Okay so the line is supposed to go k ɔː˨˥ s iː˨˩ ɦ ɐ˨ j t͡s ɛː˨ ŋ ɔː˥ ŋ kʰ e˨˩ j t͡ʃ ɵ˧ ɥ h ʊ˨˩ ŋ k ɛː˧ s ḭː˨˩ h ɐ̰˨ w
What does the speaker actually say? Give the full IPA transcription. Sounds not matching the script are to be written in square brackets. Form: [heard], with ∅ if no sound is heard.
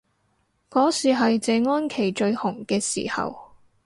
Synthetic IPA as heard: k ɔː˨˥ s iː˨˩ ɦ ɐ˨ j t͡s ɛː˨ ŋ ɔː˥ [n] kʰ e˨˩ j t͡ʃ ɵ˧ ɥ h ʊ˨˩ ŋ k ɛː˧ s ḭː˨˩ h ɐ̰˨ w